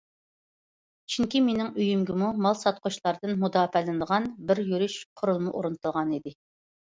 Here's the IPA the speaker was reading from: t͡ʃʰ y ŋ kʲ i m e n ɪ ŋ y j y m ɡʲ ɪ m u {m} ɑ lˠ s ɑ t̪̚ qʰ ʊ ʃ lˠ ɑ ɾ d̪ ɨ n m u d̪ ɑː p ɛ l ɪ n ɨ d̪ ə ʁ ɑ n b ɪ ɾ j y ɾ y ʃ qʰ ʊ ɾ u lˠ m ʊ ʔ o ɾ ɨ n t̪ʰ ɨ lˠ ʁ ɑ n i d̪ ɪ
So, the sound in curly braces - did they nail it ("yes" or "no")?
yes